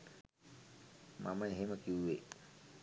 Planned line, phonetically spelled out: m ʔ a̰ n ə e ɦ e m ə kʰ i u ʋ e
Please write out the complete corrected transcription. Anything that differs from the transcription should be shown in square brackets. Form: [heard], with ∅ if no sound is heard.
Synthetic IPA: m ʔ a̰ [m] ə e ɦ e m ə [k] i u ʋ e